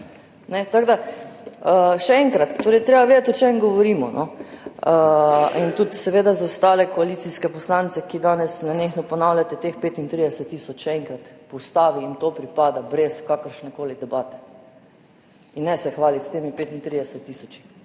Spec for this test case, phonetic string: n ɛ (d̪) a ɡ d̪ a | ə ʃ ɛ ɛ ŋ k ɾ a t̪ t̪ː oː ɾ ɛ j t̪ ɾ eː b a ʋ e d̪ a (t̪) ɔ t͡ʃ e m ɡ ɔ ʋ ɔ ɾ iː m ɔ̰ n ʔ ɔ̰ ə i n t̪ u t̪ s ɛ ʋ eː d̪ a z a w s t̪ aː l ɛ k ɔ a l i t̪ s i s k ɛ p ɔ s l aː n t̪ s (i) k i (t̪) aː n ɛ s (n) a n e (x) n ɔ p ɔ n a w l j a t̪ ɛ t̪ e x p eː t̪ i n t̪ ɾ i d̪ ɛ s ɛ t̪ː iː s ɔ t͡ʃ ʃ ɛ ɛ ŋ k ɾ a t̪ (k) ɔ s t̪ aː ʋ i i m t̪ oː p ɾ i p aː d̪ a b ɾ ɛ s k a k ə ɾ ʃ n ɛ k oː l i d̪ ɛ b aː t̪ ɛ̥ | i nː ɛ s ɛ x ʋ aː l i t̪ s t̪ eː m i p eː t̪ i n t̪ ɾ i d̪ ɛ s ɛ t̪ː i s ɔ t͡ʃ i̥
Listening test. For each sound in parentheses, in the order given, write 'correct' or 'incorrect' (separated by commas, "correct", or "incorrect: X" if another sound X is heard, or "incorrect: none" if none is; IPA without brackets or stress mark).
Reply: incorrect: t̪, correct, incorrect: ɛ, incorrect: d̪, correct, correct, incorrect: p